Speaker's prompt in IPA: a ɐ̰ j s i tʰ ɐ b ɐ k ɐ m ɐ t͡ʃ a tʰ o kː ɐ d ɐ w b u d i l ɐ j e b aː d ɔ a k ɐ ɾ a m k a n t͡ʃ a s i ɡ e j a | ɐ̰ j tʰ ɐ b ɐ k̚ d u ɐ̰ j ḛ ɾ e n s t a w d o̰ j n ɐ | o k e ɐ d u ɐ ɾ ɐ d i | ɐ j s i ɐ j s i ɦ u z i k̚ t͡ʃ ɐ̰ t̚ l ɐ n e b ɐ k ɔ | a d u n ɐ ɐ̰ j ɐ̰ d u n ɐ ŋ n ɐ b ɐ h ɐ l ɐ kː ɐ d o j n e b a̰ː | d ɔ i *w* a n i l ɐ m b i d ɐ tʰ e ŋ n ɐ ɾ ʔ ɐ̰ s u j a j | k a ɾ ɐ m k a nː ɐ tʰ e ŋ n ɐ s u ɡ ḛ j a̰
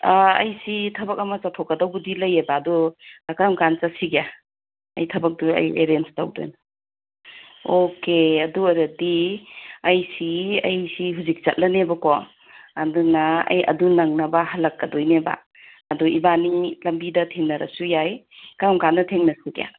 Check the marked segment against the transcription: incorrect: b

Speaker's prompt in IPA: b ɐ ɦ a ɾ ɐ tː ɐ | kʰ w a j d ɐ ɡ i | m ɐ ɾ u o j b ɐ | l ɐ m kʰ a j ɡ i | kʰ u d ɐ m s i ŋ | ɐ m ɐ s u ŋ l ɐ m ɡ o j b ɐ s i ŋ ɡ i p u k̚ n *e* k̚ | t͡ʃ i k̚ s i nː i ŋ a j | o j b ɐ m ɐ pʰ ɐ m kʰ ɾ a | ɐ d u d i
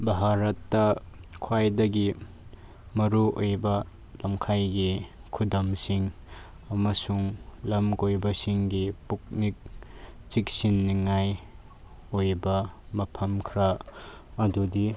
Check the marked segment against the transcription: incorrect: i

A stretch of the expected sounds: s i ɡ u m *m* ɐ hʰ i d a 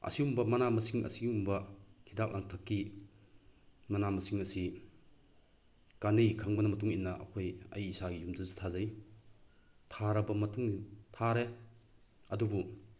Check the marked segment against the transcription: incorrect: b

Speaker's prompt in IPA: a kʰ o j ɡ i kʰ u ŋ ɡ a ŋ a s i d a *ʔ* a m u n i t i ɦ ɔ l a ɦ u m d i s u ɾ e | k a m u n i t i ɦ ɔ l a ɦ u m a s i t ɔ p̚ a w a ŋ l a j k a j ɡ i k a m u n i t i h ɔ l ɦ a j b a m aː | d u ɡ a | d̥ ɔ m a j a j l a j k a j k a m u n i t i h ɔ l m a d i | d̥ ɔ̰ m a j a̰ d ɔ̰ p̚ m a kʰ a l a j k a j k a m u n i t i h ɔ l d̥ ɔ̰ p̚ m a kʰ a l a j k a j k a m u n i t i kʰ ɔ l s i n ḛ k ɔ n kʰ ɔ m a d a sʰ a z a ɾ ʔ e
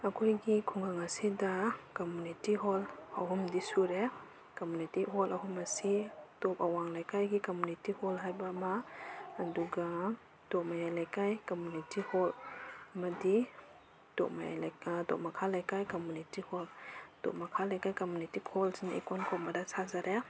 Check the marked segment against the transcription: incorrect: k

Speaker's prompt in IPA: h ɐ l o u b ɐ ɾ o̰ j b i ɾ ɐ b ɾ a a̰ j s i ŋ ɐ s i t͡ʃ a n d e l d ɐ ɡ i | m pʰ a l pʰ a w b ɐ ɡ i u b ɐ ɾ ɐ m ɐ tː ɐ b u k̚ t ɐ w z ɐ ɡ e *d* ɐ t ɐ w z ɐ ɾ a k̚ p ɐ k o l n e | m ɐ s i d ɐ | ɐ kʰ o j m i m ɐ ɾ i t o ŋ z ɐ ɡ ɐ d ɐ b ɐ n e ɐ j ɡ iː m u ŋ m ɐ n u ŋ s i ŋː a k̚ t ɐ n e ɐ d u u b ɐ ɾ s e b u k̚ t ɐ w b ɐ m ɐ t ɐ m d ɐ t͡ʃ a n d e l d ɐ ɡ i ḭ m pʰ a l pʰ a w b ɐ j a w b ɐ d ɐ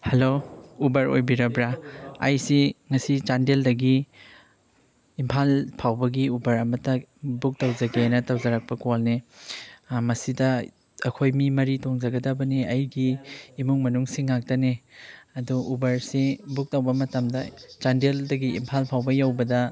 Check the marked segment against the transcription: incorrect: n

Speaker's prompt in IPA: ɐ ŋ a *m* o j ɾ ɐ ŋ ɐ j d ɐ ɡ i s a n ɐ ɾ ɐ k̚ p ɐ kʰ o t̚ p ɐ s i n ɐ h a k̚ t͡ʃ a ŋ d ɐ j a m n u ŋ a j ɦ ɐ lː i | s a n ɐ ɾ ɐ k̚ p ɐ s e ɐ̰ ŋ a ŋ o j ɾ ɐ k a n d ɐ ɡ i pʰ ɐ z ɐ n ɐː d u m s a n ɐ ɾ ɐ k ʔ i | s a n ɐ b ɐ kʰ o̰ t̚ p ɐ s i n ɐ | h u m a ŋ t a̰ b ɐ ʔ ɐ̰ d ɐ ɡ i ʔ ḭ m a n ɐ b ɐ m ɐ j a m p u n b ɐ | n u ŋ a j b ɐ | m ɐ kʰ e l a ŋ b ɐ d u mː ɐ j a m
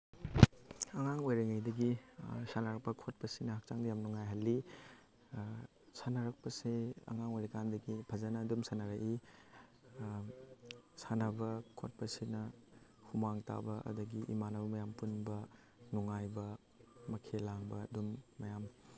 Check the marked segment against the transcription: incorrect: ŋ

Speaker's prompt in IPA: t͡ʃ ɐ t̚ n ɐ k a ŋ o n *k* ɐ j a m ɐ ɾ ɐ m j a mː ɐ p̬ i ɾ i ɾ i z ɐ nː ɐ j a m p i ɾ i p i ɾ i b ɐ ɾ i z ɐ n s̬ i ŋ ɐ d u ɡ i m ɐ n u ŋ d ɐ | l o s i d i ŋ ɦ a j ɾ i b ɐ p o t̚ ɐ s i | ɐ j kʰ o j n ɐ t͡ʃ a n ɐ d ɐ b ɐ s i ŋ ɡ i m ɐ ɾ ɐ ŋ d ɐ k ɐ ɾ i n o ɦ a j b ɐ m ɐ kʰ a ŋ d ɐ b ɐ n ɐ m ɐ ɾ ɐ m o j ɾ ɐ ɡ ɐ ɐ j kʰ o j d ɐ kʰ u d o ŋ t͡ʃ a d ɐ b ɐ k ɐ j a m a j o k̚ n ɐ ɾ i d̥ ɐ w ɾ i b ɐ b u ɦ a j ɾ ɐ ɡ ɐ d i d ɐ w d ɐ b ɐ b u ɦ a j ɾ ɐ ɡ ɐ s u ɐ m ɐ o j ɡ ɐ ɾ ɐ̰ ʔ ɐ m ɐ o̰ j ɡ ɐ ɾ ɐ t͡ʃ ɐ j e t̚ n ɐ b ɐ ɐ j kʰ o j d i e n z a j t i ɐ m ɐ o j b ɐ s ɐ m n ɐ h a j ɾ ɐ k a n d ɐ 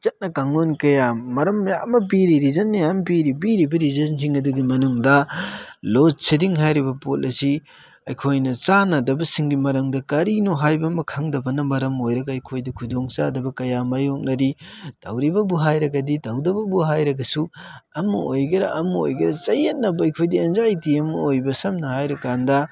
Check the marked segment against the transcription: correct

